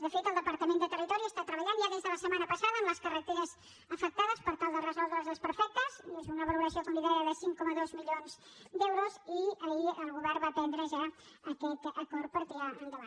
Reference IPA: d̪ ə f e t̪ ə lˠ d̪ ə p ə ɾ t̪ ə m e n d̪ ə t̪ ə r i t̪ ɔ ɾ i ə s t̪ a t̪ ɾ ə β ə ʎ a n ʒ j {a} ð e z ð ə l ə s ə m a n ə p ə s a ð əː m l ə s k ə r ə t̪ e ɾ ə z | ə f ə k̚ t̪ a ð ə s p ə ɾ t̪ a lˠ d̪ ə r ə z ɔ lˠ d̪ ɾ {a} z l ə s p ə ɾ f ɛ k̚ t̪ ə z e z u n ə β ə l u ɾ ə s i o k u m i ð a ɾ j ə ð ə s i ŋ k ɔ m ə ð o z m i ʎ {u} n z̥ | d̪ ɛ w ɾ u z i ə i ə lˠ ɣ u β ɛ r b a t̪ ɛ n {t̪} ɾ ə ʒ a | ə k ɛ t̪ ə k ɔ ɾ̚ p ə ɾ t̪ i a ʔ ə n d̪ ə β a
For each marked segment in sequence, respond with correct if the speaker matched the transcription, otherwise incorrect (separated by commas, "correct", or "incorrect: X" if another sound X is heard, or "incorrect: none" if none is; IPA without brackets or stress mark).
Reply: correct, incorrect: ə, incorrect: o, incorrect: d̪